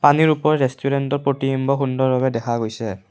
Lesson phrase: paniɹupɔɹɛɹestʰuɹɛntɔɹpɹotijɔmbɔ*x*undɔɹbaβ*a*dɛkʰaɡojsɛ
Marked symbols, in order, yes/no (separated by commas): yes, no